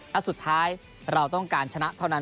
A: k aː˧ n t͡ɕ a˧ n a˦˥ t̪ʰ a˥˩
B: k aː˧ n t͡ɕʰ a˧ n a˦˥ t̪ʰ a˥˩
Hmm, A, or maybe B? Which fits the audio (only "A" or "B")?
B